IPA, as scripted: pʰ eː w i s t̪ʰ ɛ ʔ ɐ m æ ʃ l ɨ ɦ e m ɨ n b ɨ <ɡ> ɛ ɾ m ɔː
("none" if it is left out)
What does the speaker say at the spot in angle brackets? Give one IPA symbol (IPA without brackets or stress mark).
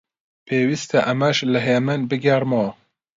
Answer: ɡ